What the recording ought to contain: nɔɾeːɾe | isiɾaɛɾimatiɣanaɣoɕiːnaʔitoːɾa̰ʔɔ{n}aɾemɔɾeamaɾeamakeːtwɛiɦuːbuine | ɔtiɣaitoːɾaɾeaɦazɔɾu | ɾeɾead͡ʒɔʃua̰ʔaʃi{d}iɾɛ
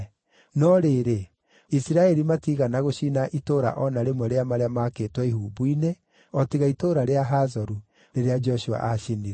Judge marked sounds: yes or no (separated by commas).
yes, no